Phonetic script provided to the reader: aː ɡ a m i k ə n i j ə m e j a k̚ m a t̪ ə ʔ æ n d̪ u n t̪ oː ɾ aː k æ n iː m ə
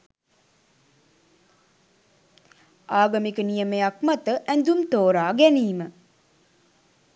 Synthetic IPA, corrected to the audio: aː ɡ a m i k ə n i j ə m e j a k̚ m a t̪ ə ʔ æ n d̪ u m t̪ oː ɾ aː ɡ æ n iː m ə